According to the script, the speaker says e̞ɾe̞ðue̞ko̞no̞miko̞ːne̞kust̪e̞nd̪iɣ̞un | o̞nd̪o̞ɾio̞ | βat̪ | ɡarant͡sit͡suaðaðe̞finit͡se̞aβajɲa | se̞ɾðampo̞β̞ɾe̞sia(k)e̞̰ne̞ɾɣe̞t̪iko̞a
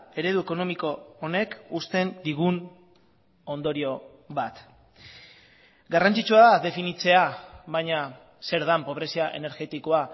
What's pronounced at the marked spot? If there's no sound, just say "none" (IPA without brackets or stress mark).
ʔ